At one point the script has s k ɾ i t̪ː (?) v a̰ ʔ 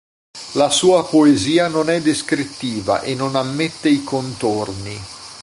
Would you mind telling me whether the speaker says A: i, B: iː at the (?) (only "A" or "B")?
B